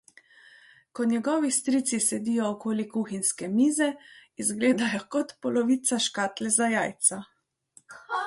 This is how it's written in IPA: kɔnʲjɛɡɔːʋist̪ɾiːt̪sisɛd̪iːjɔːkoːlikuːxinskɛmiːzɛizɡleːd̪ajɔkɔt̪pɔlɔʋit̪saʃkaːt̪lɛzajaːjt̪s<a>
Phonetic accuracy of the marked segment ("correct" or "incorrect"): correct